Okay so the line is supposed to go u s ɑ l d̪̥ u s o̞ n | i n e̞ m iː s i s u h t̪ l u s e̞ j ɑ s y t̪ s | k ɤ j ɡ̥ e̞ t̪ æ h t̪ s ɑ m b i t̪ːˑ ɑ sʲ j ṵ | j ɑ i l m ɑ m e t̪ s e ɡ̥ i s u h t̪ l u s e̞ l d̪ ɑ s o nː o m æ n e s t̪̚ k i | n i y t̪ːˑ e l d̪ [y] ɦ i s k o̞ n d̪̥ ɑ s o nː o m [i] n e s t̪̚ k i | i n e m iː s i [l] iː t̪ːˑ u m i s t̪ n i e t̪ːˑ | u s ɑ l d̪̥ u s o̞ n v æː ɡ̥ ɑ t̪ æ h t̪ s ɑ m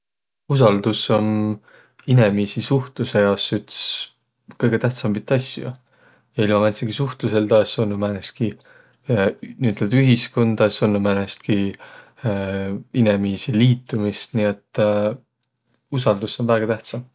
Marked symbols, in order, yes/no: yes, no, yes

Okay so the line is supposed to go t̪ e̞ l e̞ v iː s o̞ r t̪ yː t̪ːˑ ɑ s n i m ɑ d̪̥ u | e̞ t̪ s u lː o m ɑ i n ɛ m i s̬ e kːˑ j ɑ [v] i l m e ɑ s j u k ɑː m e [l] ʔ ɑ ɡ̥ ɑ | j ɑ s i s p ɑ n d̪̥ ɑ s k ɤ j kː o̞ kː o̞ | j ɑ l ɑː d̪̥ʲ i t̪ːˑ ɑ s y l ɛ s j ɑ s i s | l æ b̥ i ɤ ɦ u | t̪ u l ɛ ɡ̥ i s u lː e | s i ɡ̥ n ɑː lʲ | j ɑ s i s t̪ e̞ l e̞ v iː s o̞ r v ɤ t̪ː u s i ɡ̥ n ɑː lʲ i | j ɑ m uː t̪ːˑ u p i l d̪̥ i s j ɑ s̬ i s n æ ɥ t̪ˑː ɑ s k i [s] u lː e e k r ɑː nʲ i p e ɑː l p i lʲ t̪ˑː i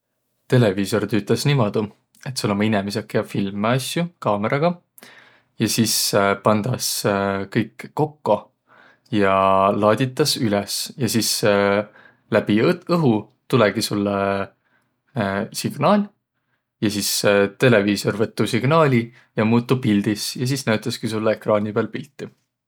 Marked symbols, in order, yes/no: no, no, yes

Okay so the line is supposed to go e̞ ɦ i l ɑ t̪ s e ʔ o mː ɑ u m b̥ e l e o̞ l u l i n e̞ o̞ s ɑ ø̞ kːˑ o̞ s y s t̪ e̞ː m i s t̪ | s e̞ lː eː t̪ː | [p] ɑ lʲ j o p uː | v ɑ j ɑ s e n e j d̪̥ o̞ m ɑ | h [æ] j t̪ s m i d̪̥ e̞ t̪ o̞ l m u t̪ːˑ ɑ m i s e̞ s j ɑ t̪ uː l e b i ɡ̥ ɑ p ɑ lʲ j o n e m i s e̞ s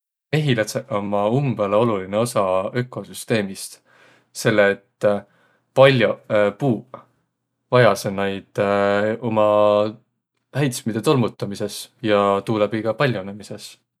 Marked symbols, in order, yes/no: yes, yes

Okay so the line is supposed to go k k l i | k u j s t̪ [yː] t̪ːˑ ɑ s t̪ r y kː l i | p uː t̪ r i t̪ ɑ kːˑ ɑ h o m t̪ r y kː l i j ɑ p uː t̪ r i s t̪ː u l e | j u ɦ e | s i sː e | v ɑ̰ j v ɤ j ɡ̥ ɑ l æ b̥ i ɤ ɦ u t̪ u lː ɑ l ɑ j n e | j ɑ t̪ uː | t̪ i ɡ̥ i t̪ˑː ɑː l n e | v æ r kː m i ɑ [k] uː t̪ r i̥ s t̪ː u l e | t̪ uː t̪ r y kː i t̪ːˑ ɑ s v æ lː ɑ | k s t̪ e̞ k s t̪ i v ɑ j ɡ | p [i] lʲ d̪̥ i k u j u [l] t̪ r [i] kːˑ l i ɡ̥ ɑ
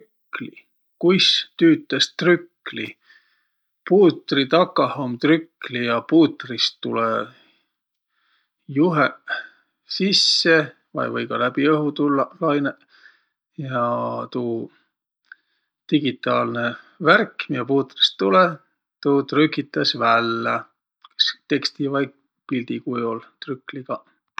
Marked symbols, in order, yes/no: yes, no, yes, yes, no

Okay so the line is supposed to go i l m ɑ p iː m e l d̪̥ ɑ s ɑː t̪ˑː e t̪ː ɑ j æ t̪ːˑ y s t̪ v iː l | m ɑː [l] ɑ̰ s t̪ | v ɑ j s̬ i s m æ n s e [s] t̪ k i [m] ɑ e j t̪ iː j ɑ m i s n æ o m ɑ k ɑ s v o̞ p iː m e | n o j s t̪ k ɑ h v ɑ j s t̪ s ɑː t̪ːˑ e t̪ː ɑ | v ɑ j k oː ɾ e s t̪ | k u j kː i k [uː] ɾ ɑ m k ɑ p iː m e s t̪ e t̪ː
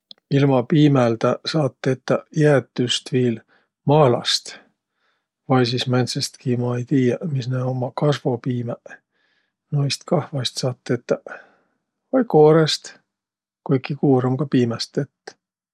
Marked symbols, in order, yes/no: yes, yes, yes, yes

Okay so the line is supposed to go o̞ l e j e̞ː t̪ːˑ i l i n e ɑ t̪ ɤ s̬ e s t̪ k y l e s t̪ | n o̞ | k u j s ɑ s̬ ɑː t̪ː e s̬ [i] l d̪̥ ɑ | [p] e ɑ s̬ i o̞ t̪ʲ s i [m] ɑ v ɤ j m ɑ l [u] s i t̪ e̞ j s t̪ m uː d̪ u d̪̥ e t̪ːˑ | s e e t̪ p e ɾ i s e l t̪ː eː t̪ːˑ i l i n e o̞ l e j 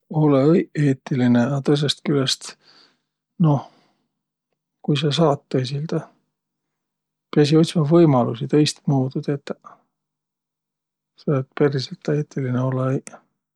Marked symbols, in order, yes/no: yes, yes, yes, yes

